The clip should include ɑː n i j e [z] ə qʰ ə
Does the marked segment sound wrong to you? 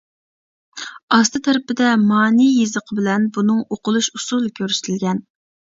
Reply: no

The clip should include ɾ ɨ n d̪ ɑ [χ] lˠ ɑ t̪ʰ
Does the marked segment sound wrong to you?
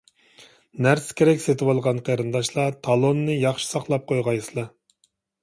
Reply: yes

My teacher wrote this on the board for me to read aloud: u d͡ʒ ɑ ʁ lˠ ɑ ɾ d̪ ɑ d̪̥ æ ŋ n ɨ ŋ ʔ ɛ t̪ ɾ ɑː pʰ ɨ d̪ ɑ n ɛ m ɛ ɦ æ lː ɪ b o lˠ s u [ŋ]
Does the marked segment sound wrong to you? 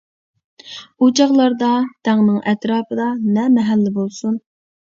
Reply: yes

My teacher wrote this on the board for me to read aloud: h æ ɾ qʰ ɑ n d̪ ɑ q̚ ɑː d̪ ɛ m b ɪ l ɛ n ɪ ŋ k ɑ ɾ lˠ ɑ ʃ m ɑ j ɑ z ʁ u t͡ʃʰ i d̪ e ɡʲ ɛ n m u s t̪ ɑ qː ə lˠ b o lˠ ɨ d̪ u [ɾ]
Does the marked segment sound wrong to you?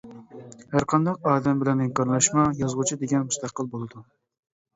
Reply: yes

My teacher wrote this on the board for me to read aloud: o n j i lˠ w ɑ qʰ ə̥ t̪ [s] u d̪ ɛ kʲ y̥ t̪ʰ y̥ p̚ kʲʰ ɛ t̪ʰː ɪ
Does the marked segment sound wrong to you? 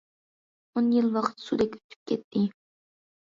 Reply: no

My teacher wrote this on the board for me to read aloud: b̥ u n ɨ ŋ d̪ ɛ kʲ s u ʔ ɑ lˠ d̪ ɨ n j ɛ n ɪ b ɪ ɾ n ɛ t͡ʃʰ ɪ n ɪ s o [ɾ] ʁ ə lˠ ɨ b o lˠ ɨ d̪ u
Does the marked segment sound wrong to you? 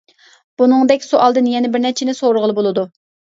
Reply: no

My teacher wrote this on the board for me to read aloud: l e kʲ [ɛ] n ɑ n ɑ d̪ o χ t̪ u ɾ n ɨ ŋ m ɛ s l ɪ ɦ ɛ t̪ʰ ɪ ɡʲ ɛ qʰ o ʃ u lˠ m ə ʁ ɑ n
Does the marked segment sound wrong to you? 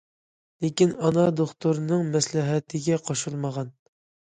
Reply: yes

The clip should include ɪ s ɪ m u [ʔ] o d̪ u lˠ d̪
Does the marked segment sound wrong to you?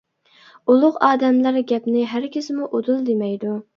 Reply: no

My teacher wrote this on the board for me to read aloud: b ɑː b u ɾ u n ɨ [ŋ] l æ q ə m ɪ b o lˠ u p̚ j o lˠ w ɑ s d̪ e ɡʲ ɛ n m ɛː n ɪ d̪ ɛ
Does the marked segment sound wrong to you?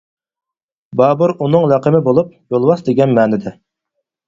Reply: no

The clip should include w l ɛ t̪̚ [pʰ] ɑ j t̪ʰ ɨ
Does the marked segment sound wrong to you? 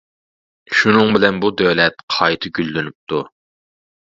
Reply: yes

